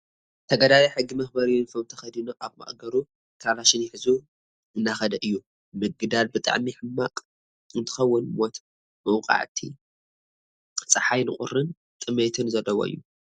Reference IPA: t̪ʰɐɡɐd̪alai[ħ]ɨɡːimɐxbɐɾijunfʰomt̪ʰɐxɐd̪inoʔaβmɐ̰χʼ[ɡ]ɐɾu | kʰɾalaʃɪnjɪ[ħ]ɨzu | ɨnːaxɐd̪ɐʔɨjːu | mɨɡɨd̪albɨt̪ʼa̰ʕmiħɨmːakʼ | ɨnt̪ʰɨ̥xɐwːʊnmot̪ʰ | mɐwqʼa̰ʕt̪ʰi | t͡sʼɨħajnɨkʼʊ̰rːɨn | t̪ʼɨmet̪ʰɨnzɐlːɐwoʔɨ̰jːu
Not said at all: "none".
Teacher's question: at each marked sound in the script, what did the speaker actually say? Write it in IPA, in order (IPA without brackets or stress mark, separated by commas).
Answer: ħ, ɡ, ħ